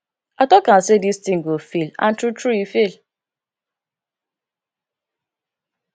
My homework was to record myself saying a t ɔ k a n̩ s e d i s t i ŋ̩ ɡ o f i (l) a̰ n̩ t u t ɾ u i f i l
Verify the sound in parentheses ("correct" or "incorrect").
correct